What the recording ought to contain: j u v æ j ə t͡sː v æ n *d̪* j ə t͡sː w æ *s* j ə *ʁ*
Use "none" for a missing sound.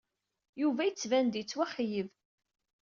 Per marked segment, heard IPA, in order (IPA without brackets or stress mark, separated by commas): d̪, χ, v